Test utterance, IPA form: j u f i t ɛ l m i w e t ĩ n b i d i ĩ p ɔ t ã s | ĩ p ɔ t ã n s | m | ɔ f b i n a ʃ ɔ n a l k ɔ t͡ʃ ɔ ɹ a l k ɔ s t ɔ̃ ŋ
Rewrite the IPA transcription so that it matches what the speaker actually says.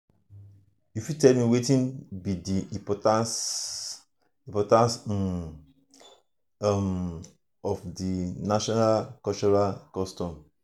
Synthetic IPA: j u f i t ɛ l m i w e t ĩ n b i d i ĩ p ɔ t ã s | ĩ p ɔ t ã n s | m | ɔ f d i n a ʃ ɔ n a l k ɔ t͡ʃ ɔ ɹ a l k ɔ s t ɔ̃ m